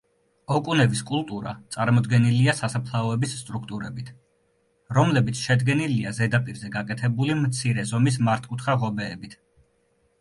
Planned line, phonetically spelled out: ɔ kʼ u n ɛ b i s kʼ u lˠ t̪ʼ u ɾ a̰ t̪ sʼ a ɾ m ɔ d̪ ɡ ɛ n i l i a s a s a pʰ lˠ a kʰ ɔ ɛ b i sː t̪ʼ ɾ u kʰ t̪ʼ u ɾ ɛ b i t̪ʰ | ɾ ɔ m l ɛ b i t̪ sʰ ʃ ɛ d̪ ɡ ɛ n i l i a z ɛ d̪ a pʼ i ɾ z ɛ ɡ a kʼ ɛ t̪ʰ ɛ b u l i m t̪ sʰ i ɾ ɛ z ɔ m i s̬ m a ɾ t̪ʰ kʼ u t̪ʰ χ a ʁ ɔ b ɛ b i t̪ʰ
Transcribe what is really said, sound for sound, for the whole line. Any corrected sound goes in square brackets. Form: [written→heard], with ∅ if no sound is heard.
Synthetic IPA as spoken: ɔ kʼ u n ɛ b i s kʼ u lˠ t̪ʼ u ɾ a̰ t̪ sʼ a ɾ m ɔ d̪ ɡ ɛ n i l i a s a s a pʰ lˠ a [kʰ→∅] ɔ ɛ b i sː t̪ʼ ɾ u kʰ t̪ʼ u ɾ ɛ b i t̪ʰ | ɾ ɔ m l ɛ b i t̪ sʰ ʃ ɛ d̪ ɡ ɛ n i l i a z ɛ d̪ a pʼ i ɾ z ɛ ɡ a kʼ ɛ t̪ʰ ɛ b u l i m t̪ sʰ i ɾ ɛ z ɔ m i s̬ m a ɾ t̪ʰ kʼ u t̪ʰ χ a ʁ ɔ b [ɛ→ɛː] b i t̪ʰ